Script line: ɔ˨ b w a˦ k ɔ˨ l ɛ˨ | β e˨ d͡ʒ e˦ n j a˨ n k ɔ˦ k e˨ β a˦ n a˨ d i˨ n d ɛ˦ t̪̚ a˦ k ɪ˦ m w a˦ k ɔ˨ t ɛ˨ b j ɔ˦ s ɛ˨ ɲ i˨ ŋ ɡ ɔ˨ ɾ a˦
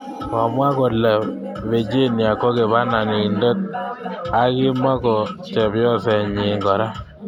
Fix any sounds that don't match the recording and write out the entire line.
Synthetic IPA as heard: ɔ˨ m w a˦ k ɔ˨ l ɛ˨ | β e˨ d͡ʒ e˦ n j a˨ k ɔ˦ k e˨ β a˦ n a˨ n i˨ n d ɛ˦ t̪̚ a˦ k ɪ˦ m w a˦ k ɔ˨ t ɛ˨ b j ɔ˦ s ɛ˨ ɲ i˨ ŋ ɡ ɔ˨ ɾ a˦